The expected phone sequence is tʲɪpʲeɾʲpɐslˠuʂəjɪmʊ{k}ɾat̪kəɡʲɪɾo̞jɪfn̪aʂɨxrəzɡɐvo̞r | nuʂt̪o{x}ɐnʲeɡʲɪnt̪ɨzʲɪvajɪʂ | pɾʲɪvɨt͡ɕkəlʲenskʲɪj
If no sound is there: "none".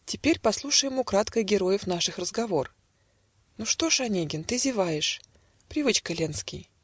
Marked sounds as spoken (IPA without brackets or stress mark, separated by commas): k, ʂ